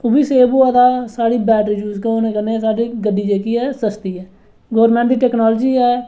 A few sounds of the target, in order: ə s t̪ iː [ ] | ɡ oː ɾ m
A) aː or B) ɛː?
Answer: B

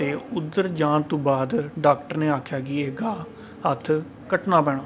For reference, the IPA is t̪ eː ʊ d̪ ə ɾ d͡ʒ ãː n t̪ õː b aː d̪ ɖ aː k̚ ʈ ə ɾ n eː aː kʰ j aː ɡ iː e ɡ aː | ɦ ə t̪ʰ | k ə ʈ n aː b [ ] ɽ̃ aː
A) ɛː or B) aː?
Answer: A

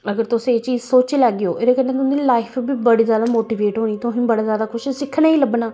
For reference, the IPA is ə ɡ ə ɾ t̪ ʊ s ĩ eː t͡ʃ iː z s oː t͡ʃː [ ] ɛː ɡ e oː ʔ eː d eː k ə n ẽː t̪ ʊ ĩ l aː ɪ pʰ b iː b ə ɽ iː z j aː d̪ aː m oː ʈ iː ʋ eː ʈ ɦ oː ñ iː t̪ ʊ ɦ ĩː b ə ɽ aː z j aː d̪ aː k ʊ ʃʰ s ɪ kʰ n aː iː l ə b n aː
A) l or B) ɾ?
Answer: A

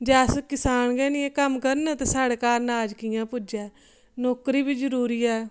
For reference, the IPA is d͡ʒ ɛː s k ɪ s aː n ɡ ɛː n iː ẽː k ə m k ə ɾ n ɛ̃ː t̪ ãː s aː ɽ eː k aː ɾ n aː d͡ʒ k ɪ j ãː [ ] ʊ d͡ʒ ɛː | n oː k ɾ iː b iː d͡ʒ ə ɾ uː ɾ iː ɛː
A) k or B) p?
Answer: B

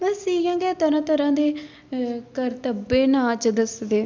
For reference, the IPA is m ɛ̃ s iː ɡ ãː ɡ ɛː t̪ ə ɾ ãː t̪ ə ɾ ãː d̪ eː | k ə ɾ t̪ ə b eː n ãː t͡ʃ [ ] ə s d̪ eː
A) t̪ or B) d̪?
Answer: B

